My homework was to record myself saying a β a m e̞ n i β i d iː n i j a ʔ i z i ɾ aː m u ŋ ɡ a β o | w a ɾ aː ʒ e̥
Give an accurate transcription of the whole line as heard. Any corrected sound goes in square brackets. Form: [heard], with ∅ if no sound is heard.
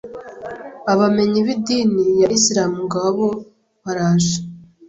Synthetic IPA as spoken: a β a m e̞ [ɲ] i β i d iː n i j a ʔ i [s] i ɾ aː m u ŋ ɡ a β o | [β] a ɾ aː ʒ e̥